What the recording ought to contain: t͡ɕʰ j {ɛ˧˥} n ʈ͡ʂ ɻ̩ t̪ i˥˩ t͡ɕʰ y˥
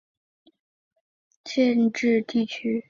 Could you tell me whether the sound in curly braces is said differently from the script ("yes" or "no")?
yes